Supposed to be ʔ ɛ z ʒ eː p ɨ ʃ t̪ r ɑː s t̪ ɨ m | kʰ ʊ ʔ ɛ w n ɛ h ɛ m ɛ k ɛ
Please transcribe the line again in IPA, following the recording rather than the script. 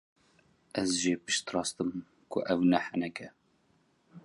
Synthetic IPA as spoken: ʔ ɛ z ʒ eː p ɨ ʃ t̪ r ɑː s t̪ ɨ m | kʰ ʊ ʔ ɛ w n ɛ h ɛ n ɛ k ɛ